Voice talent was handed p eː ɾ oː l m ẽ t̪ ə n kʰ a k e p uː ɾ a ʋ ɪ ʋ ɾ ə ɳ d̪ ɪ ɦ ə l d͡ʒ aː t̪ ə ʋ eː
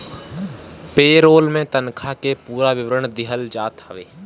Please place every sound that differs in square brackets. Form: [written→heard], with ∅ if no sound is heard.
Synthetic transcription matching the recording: p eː ɾ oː l m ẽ t̪ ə n kʰ a k e p uː ɾ a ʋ ɪ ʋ ɾ ə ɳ d̪ ɪ ɦ ə l d͡ʒ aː t̪ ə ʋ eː